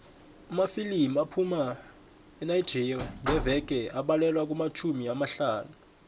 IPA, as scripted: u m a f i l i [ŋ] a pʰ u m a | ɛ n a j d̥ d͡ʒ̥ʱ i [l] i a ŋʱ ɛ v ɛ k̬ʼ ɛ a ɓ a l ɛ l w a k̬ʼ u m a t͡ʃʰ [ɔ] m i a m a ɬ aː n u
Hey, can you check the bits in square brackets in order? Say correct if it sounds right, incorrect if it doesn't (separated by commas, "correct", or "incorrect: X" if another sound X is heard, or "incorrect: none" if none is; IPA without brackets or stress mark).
incorrect: m, incorrect: r, incorrect: u